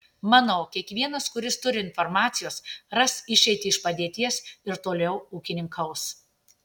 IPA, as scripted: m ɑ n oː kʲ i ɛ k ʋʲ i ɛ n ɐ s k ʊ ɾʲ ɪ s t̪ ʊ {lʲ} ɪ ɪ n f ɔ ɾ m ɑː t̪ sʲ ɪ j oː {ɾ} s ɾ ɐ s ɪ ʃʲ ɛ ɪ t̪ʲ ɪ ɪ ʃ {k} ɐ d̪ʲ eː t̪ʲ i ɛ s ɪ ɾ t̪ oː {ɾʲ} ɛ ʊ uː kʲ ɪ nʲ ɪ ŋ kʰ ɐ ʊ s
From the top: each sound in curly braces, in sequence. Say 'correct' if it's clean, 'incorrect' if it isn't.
incorrect: ɾʲ, incorrect: none, incorrect: p, incorrect: lʲ

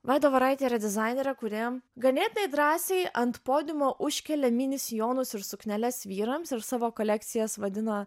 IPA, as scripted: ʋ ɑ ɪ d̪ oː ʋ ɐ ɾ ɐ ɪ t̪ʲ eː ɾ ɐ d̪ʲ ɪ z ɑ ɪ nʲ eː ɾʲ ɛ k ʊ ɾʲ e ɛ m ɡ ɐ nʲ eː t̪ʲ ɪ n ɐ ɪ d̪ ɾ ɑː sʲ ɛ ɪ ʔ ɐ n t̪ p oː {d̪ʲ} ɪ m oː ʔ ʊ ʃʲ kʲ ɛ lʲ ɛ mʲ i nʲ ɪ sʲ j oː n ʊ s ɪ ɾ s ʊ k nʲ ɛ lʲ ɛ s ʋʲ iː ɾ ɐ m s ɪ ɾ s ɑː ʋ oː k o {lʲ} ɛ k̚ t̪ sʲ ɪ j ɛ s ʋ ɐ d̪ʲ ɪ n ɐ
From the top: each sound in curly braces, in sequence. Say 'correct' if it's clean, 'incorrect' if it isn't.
correct, correct

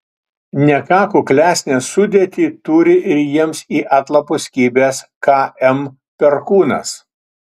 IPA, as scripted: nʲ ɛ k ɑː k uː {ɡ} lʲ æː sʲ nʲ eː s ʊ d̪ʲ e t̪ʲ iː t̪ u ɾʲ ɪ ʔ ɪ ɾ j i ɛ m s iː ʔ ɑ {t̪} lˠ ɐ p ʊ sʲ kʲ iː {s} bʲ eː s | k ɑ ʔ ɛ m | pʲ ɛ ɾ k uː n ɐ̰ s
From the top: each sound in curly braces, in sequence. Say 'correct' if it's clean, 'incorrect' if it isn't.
incorrect: k, correct, incorrect: none

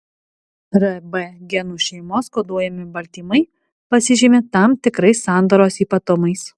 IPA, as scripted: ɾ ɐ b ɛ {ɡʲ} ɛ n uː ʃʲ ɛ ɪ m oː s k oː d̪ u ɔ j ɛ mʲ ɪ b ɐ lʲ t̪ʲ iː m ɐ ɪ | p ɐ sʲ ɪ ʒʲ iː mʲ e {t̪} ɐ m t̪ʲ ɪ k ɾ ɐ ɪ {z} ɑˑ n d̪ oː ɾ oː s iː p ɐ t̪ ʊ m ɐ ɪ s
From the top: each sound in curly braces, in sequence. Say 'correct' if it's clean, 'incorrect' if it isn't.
correct, correct, incorrect: s

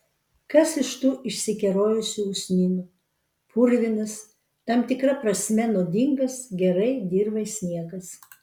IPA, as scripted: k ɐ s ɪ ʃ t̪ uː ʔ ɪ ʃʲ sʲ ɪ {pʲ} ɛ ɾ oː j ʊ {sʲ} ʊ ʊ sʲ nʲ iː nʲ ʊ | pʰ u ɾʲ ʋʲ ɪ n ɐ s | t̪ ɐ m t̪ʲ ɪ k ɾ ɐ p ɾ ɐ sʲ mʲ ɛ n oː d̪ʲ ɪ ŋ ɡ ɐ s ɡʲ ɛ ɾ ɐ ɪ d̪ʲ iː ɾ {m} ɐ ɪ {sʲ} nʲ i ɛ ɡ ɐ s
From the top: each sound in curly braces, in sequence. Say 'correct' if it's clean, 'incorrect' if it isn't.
incorrect: kʲ, correct, incorrect: b, correct

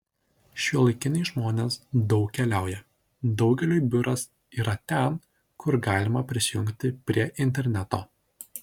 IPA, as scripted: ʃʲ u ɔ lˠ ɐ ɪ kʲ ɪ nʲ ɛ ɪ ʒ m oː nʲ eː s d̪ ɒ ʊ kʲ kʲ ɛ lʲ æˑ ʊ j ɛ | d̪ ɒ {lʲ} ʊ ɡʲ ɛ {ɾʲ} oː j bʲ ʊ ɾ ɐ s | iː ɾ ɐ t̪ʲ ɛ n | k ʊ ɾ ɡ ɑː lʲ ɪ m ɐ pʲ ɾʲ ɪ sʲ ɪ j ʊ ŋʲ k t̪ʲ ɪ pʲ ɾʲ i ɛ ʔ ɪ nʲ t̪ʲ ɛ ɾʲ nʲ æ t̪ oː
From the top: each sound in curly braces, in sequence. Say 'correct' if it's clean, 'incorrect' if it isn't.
incorrect: none, incorrect: lʲ

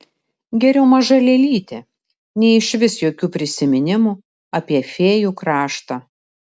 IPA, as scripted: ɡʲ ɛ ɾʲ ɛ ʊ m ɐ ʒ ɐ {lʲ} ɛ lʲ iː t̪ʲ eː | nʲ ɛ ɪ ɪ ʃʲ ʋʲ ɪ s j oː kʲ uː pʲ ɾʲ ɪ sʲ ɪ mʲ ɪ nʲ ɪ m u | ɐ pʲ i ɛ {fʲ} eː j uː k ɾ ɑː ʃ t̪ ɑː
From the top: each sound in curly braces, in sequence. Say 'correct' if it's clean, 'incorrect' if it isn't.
correct, correct

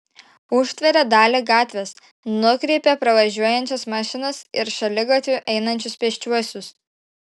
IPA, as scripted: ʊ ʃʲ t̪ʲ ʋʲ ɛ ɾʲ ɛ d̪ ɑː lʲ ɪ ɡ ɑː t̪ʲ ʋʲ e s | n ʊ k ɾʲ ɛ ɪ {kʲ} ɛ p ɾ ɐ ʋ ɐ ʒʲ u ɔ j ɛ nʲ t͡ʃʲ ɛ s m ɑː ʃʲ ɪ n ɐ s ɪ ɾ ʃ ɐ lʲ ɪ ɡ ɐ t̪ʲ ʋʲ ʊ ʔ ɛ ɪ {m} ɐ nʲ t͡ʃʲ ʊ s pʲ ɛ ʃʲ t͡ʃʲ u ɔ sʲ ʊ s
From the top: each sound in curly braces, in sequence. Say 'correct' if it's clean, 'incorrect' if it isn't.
incorrect: pʲ, incorrect: n

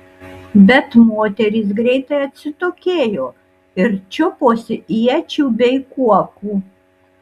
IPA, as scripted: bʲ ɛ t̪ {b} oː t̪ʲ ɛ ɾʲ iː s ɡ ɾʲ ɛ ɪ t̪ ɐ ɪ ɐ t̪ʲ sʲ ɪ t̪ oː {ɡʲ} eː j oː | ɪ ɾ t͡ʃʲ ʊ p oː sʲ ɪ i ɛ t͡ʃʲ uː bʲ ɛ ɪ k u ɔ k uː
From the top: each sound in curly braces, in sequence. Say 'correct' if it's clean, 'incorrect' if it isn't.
incorrect: m, incorrect: kʲ

